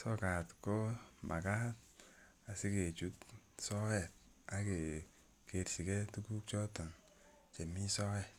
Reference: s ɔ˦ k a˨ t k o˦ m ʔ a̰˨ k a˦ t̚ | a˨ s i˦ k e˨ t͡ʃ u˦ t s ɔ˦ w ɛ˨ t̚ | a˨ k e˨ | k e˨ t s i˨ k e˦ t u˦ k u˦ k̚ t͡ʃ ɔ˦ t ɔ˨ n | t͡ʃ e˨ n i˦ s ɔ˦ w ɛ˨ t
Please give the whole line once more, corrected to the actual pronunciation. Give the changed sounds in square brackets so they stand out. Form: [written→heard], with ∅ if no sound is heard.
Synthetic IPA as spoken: s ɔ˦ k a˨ t k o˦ m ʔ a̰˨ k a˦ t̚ | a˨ s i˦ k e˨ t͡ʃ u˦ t s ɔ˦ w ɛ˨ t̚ | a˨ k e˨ | k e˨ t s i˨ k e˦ t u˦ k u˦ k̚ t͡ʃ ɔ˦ t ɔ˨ n | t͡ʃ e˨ [n→m] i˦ s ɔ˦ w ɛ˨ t